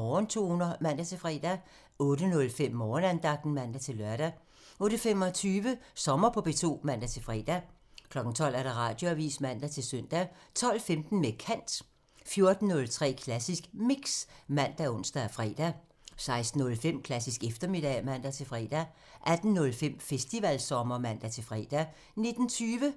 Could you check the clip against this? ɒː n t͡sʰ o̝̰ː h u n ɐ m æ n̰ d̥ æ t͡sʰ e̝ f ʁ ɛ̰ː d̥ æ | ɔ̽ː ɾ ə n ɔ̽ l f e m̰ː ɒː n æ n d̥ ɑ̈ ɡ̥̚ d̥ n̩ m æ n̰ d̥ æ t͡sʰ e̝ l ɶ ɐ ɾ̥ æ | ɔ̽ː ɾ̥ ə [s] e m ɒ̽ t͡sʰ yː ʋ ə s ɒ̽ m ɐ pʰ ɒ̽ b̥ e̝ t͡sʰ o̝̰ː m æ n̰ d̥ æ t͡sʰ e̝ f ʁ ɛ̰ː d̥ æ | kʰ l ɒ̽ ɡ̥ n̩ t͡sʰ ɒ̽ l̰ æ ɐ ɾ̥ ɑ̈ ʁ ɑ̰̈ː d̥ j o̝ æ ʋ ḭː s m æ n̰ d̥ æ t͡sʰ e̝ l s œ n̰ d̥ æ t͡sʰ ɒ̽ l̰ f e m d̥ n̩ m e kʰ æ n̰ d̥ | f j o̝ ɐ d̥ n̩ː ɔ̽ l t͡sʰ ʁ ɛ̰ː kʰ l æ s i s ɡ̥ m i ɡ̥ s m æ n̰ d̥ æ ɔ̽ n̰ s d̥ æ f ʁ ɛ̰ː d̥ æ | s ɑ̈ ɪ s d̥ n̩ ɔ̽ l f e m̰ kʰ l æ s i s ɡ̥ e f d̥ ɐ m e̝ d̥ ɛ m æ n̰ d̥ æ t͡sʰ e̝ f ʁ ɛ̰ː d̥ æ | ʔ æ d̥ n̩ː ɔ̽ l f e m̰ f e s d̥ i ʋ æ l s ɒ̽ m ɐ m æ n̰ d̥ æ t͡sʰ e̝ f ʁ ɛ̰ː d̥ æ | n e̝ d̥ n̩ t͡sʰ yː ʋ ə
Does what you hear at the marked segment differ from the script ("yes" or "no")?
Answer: yes